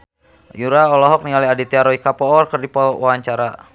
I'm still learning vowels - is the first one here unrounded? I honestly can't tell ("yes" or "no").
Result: no